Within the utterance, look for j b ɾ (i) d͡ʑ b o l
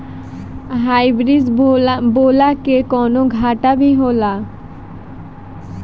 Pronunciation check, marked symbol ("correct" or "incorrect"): correct